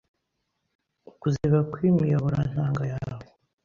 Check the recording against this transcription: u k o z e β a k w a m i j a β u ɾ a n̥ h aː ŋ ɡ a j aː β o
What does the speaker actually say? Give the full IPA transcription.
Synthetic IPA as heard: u k u z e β a k w i m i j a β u ɾ a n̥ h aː ŋ ɡ a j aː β o